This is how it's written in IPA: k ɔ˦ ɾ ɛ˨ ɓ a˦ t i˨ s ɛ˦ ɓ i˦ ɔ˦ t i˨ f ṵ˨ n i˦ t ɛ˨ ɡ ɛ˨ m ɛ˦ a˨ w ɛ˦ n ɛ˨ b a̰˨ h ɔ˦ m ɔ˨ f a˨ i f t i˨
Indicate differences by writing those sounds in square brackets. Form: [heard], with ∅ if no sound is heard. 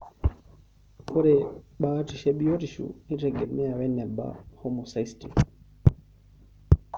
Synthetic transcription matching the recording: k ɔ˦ ɾ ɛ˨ ɓ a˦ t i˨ [ʃ] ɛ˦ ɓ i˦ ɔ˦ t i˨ [ʃ] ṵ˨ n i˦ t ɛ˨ ɡ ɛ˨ m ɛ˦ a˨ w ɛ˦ n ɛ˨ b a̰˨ h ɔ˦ m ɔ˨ [s] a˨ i [s] t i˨